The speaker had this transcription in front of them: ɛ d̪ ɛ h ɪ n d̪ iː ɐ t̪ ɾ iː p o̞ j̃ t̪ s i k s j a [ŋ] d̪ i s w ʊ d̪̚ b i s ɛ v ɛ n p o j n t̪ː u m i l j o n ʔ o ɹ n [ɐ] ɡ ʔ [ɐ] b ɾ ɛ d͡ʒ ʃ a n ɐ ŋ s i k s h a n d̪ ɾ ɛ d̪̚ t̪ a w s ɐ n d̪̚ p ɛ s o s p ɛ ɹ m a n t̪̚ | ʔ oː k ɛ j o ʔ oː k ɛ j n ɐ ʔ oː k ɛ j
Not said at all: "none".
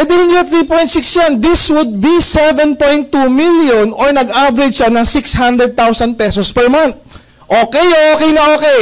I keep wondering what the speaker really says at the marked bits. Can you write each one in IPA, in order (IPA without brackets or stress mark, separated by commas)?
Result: n, ɐ, a